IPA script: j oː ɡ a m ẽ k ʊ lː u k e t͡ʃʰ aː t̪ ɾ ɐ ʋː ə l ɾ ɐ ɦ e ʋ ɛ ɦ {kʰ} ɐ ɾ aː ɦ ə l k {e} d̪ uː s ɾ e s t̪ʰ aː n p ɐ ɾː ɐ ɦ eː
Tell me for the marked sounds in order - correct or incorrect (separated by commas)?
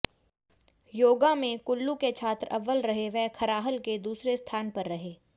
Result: correct, correct